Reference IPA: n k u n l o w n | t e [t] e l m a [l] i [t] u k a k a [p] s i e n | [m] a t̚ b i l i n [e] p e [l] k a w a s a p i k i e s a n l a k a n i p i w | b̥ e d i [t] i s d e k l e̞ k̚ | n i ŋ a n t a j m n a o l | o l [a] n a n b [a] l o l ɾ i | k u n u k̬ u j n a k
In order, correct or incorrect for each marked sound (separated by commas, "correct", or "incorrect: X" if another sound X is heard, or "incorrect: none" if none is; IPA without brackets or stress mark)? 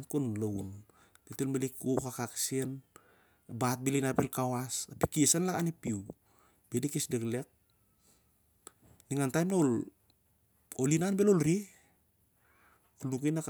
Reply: correct, correct, incorrect: k, incorrect: k, incorrect: b, incorrect: a, correct, incorrect: k, incorrect: i, incorrect: e